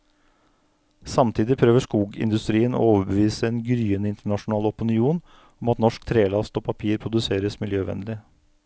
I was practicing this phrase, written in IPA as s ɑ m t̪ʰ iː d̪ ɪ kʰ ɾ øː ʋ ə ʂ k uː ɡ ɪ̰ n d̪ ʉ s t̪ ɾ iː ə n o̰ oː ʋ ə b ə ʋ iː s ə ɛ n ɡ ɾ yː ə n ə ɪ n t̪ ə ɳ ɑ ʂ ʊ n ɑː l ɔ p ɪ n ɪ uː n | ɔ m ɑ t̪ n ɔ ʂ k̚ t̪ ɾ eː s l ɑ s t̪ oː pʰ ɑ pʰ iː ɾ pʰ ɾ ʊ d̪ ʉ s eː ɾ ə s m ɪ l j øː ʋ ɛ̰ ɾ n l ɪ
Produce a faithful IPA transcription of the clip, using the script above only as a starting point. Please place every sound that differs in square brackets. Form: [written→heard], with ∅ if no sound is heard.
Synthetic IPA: s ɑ m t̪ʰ iː d̪ ɪ [kʰ→pʰ] ɾ øː ʋ ə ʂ k uː ɡ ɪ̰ n d̪ ʉ s t̪ ɾ iː ə n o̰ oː ʋ ə b ə ʋ iː s ə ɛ n ɡ ɾ yː ə n ə ɪ n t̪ ə ɳ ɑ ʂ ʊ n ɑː l ɔ p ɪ n ɪ uː n | ɔ m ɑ t̪ n ɔ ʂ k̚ [t̪→t̪ʰ] ɾ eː [s→∅] l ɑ s t̪ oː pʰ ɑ pʰ iː ɾ pʰ ɾ ʊ d̪ ʉ s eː ɾ ə s m ɪ l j øː ʋ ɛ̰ [ɾ→∅] n l ɪ